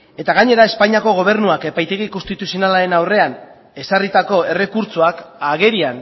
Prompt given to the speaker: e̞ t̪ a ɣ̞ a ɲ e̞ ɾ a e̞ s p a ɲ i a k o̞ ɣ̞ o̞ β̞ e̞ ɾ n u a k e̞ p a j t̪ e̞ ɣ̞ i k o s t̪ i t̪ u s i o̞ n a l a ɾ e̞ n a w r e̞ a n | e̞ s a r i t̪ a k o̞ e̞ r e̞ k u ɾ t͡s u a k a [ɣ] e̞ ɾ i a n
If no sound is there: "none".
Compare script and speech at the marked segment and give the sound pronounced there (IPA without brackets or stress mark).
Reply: ɣ